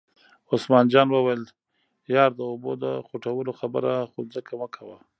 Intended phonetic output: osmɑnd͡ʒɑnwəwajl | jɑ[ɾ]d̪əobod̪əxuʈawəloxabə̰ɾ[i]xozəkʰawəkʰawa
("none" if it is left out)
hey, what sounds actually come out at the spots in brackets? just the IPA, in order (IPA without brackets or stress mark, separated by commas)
ɾ, a